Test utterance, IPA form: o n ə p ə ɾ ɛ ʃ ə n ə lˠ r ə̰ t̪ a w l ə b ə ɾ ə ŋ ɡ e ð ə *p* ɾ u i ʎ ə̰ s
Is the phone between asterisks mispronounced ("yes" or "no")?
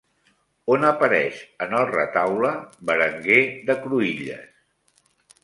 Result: yes